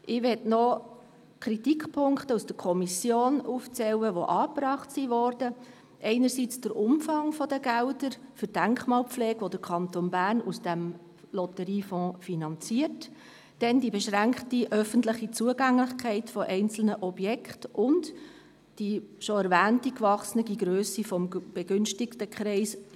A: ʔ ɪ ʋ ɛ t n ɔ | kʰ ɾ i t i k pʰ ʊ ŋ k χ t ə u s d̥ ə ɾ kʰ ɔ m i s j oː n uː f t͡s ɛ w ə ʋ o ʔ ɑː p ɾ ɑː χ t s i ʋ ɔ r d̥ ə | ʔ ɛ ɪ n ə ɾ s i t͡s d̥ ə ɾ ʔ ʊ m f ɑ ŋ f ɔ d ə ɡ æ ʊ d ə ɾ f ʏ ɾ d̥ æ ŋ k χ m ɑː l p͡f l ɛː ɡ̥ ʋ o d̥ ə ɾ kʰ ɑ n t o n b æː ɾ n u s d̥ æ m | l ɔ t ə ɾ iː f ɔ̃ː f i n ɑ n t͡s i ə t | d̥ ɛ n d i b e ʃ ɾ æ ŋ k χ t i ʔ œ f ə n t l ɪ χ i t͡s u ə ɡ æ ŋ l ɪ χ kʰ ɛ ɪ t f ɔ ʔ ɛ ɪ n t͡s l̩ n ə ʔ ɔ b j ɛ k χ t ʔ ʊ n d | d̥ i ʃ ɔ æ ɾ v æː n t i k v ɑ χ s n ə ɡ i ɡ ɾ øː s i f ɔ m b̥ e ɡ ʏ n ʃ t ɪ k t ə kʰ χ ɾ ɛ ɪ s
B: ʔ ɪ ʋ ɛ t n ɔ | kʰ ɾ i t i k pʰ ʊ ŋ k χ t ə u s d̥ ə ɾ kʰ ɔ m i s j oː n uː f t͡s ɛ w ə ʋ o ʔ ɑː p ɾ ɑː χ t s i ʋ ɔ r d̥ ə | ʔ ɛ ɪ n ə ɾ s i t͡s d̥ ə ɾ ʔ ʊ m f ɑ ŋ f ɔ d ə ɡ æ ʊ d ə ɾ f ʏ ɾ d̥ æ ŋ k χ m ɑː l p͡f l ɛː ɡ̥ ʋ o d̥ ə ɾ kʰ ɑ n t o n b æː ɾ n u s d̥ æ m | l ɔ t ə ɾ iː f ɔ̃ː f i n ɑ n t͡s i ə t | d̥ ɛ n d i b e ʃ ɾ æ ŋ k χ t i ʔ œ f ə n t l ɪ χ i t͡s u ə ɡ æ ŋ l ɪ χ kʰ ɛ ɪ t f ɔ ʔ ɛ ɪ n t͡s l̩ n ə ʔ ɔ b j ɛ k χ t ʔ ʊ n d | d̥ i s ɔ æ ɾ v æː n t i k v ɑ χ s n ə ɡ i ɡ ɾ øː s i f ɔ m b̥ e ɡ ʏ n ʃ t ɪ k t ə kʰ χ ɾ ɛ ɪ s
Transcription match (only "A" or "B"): A